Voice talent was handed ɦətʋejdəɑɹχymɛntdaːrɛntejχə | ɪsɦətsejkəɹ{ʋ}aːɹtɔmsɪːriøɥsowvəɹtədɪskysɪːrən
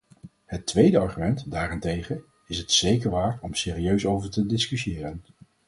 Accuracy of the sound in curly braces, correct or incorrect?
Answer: correct